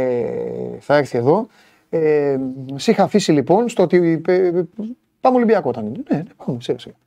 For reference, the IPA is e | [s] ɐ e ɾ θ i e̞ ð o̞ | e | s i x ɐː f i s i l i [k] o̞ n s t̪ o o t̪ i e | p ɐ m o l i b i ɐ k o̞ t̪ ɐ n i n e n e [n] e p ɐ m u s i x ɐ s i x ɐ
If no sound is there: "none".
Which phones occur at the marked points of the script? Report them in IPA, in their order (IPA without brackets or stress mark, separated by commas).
θ, p, n